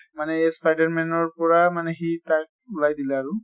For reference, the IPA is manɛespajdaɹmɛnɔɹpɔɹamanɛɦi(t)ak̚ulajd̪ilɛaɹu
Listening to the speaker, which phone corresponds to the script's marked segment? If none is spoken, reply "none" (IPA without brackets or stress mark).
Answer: t